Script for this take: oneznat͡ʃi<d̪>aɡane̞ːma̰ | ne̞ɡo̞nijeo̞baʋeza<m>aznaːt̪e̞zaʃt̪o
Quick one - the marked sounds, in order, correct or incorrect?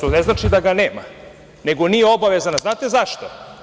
correct, incorrect: n

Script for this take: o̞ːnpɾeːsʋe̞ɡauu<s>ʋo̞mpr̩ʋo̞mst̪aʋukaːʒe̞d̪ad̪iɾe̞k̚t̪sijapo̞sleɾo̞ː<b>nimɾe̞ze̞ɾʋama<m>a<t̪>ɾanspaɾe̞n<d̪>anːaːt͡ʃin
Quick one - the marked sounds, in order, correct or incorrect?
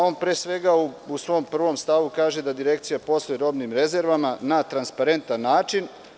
correct, correct, incorrect: n, correct, incorrect: t̪

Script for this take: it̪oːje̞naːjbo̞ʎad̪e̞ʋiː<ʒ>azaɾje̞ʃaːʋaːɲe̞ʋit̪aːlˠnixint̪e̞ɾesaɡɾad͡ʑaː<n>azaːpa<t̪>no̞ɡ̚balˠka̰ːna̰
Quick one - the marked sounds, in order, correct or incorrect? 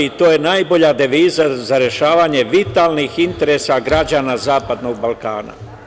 incorrect: z, correct, incorrect: d̪

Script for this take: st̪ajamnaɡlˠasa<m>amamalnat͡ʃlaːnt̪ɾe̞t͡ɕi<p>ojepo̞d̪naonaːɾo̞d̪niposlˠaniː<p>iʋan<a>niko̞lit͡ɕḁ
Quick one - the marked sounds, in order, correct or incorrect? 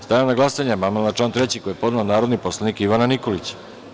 incorrect: ɲ, incorrect: k, incorrect: k, correct

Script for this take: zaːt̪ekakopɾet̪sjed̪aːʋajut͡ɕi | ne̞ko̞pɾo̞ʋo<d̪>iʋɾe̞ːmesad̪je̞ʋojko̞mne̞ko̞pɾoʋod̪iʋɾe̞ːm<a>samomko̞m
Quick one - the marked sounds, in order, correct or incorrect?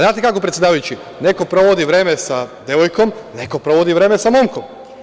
correct, incorrect: e

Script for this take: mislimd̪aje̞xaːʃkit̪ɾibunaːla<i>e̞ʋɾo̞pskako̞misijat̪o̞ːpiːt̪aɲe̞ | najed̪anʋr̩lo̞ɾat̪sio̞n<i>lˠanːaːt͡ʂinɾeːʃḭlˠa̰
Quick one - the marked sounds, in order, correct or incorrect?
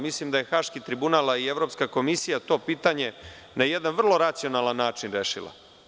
correct, incorrect: a

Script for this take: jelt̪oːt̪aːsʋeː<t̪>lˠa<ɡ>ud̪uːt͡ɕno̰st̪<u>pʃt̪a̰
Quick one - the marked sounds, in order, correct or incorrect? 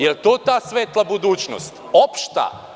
correct, incorrect: b, incorrect: o

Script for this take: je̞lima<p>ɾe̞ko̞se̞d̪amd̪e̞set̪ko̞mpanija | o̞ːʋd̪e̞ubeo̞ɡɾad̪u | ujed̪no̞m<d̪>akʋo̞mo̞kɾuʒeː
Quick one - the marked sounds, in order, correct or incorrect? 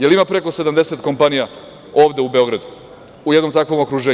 correct, incorrect: t̪

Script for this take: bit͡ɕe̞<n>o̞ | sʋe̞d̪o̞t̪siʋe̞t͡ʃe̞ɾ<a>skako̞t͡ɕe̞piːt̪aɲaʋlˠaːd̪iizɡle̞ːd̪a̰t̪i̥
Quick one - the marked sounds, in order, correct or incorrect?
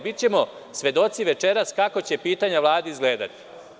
incorrect: m, correct

